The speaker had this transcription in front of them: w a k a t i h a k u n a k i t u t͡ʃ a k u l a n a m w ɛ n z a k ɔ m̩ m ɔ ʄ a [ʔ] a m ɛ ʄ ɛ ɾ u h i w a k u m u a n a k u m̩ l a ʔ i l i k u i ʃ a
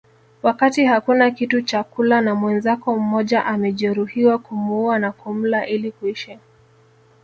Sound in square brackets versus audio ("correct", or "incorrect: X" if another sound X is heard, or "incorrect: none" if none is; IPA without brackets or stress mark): correct